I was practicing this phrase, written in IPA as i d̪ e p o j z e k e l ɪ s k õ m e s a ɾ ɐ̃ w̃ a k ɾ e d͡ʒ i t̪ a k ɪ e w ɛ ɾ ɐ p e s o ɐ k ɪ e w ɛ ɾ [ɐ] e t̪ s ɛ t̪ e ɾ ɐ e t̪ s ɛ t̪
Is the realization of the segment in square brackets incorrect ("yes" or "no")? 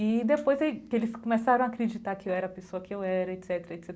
no